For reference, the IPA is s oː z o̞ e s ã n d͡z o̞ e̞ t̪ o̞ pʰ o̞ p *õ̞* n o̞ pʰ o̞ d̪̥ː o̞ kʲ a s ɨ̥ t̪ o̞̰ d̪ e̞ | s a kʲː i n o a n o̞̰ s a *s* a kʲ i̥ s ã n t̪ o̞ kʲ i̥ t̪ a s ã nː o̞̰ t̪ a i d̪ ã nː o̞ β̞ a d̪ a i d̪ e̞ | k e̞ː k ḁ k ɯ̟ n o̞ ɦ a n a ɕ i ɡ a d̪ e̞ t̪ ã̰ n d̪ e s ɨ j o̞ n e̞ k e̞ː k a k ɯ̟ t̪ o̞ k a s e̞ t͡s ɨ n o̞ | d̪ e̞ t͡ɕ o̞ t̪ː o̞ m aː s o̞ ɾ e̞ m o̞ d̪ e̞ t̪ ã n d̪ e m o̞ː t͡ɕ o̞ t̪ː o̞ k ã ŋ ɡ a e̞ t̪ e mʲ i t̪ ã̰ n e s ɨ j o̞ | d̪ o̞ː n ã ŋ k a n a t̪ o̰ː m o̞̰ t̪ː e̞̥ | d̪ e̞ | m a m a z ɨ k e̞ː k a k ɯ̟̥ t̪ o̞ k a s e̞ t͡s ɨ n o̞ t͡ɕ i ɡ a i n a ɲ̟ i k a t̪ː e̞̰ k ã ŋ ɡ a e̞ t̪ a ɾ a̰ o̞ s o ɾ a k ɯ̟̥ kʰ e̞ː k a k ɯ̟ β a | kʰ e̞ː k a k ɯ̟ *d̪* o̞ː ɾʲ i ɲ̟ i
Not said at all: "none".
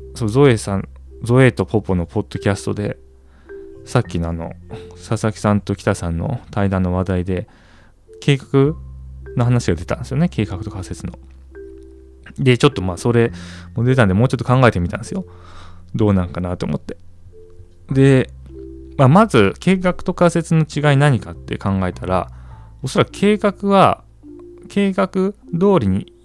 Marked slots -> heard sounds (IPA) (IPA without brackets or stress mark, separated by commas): o̞, s, d̪